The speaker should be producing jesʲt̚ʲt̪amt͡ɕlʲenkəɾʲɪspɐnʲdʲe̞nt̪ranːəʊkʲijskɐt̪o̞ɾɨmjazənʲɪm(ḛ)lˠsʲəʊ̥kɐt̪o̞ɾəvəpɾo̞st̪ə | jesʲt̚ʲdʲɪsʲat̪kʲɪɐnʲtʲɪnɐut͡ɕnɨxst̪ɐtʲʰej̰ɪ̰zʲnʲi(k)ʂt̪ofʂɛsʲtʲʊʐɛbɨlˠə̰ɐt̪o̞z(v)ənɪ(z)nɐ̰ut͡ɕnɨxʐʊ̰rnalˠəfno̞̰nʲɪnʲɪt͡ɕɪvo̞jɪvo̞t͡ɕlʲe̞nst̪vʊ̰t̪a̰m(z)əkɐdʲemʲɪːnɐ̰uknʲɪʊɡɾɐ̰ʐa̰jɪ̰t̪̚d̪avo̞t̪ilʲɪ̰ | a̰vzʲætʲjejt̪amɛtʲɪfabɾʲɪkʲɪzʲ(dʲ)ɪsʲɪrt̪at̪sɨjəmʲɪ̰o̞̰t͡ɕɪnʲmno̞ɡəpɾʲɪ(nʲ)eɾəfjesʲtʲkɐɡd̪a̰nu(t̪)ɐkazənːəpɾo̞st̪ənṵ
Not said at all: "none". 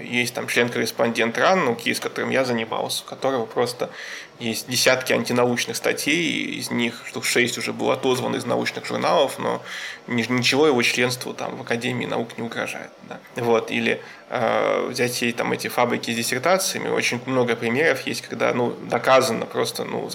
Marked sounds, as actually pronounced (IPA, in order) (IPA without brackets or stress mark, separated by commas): a̰, x, v, z, v, dʲ, mʲ, d̪